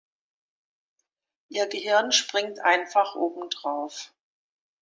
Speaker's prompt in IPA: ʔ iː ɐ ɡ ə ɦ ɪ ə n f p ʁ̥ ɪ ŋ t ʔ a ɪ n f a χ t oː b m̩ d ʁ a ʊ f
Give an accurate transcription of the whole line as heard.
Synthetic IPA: ʔ iː ɐ ɡ ə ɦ ɪ ɐ n ʃ p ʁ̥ ɪ ŋ t ʔ a ɪ n f a χ ʔ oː b m̩ d ʁ a ʊ f